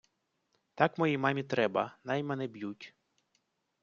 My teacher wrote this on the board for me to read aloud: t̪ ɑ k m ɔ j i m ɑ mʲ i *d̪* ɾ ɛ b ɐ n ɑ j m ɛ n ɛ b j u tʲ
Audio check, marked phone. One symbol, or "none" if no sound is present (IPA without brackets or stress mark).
t̪